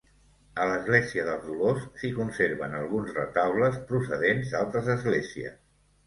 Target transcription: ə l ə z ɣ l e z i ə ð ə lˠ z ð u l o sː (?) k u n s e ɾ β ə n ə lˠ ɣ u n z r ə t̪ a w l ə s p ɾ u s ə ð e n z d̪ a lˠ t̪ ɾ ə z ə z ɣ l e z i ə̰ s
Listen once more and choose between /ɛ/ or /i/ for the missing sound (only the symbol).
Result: i